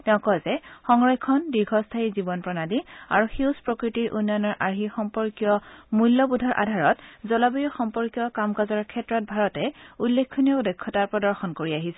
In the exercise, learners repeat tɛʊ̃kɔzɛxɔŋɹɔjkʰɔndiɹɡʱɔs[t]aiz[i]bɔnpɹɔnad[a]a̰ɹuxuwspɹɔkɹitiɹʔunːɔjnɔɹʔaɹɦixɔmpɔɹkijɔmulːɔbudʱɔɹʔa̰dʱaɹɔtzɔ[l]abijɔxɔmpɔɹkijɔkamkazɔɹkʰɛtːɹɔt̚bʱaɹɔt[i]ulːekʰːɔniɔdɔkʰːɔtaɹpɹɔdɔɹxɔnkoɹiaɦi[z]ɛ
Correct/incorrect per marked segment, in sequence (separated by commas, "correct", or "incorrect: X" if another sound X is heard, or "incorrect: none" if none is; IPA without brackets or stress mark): incorrect: tʰ, correct, incorrect: i, correct, incorrect: ɛ, incorrect: s